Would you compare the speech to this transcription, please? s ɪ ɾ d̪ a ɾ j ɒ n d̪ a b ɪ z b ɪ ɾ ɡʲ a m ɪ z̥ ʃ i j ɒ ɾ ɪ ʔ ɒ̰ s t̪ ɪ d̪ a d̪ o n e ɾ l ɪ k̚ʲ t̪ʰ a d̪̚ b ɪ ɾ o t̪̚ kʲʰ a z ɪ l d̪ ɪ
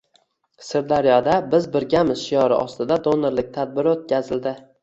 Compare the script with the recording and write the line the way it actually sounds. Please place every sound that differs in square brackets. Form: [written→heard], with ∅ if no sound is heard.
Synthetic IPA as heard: s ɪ ɾ d̪ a ɾ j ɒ [n→∅] d̪ a b ɪ z b ɪ ɾ ɡʲ a m ɪ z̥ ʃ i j ɒ ɾ ɪ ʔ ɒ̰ s t̪ ɪ d̪ a d̪ o n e ɾ l ɪ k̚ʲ t̪ʰ a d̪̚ b ɪ ɾ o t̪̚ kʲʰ a z ɪ l d̪ ɪ